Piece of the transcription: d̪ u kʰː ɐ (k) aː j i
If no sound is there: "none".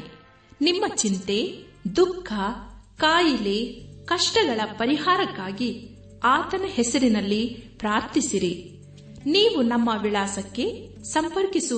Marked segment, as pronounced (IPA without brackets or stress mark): k